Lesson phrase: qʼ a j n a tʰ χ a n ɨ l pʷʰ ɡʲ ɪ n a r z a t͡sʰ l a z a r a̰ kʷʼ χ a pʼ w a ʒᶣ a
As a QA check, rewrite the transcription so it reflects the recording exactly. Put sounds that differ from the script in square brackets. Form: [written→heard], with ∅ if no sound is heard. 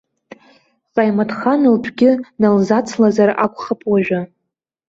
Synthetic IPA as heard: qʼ a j [n→m] a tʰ χ a n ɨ l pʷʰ ɡʲ ɪ n a [r→l] z a t͡sʰ l a z a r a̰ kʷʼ χ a pʼ w a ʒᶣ a